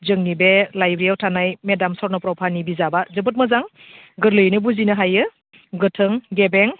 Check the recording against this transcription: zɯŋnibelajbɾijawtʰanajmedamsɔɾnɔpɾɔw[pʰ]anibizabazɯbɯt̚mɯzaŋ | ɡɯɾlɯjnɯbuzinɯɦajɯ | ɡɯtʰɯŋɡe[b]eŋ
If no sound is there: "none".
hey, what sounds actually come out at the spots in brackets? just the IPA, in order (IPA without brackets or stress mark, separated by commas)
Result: pʰ, b